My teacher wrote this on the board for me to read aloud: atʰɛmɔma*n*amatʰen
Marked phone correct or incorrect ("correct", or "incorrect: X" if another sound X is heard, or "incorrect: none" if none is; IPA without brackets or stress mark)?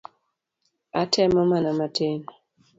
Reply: correct